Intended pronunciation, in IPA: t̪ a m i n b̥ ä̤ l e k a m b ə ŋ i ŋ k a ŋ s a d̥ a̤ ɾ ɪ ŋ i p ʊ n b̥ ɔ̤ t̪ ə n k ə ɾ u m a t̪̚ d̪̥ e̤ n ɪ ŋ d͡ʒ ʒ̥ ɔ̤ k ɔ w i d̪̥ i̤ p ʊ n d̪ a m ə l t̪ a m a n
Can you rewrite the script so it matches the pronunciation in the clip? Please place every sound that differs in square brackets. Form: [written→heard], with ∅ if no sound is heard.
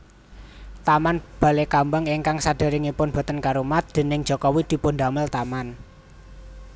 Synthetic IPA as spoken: t̪ a m [i→a] n b̥ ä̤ l e k a m b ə ŋ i ŋ k a ŋ s a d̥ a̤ ɾ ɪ ŋ i p ʊ n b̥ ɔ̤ t̪ ə n k [ə→a] ɾ u m a t̪̚ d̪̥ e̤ n ɪ ŋ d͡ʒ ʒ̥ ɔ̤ k ɔ w i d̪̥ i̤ p ʊ n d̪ a m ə l t̪ a m a n

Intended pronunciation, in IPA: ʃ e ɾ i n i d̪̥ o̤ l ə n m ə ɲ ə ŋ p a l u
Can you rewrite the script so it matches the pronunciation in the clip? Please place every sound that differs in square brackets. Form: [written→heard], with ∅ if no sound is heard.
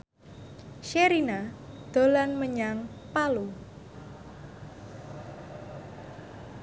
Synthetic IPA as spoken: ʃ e ɾ i n [i→a] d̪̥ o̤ l [ə→a] n m ə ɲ [ə→a] ŋ p a l u

